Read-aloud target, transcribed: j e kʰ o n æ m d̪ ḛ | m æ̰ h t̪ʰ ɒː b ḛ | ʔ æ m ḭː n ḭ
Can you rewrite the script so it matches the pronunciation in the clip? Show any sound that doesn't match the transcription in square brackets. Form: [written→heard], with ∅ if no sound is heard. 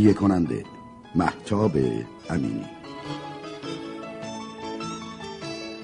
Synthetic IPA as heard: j e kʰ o n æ [m→n] d̪ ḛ | m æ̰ h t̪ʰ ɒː b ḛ | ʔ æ m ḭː n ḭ